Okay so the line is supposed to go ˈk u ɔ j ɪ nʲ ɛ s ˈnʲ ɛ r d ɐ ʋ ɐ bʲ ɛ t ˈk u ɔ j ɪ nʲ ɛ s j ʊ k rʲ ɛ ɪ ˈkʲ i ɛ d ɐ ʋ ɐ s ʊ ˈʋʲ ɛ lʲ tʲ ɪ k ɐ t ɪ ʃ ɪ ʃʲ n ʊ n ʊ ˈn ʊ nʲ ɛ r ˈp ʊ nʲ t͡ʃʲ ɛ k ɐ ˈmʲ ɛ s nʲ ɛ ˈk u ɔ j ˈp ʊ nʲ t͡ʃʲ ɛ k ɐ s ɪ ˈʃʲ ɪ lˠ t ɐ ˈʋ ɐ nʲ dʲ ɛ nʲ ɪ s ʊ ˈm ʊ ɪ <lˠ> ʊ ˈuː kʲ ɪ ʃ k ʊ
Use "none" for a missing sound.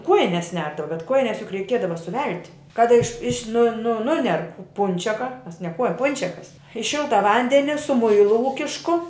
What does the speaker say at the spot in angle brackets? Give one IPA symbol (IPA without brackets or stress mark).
lˠ